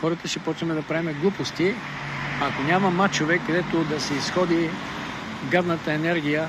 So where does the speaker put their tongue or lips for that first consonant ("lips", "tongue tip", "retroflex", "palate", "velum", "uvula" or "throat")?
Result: velum